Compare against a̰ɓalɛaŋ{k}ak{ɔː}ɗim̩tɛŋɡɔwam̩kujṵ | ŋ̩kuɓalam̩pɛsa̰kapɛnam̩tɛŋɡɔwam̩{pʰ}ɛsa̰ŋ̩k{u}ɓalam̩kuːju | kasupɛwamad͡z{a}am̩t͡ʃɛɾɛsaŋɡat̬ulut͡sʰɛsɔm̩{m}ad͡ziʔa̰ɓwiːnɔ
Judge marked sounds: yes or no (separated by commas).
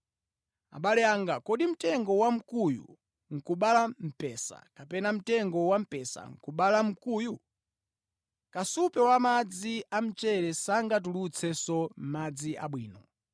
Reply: no, no, no, yes, no, yes